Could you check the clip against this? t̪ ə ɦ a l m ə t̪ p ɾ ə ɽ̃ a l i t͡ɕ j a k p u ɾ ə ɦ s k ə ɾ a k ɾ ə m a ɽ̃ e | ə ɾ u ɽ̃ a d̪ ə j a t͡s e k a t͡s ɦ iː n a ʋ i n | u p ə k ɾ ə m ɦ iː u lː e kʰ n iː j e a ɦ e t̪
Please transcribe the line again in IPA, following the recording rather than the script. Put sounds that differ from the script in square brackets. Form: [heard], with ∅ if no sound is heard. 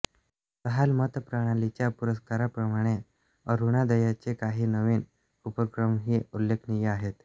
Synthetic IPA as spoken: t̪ ə ɦ a l m ə t̪ p ɾ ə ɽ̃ a l i t͡ɕ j a [∅] p u ɾ ə [∅] s k [a] ɾ a [p] ɾ ə m a ɽ̃ e | ə ɾ u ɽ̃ a d̪ ə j a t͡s e k a [∅] ɦ iː n [ə] ʋ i n | u p ə k ɾ ə m ɦ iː u lː e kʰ n [i] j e a ɦ e t̪